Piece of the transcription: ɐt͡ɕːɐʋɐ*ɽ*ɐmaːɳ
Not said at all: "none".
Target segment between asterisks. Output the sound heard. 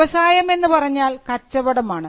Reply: ɽ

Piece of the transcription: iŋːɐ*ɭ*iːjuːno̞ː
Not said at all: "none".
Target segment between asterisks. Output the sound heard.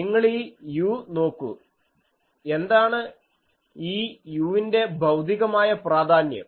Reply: ɭ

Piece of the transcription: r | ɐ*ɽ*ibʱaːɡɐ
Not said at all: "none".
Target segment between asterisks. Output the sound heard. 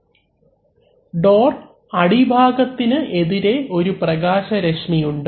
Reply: ɽ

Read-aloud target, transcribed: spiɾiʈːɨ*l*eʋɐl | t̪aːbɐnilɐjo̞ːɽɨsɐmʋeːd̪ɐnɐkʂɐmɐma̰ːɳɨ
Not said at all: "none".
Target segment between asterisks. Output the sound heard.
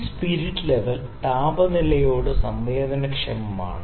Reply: l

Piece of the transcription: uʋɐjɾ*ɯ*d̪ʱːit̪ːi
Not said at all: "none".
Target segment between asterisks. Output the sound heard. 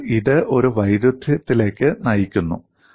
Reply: u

